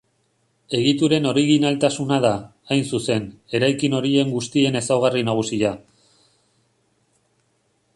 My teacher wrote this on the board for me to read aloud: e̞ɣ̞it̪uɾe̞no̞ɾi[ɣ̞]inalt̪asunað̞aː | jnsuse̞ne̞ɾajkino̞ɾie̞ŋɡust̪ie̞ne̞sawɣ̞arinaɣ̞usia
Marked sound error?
no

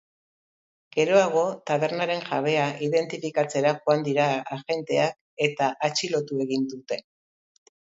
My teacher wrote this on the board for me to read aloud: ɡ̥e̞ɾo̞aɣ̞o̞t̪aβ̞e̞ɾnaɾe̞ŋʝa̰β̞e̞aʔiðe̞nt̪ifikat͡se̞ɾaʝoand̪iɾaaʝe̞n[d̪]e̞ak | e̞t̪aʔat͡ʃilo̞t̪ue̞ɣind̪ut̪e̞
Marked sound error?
yes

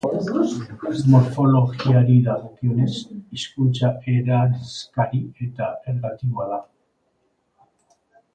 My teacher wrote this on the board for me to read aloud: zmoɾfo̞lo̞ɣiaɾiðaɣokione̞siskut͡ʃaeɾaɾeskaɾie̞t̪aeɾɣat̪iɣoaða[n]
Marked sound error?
yes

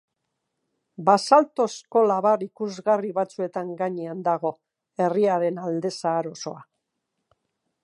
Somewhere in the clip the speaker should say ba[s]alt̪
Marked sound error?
no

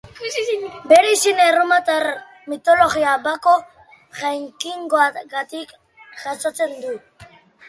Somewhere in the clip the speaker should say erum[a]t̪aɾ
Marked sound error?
no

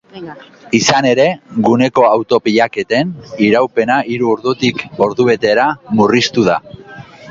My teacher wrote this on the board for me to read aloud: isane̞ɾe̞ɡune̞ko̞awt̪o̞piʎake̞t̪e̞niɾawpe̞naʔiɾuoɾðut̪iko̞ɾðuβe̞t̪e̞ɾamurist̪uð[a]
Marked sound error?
no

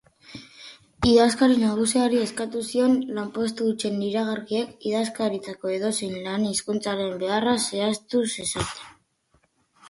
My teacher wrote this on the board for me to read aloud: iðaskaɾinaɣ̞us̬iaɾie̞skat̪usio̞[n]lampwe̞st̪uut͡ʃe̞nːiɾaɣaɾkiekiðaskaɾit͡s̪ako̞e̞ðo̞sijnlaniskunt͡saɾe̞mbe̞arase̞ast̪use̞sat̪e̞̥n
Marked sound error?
no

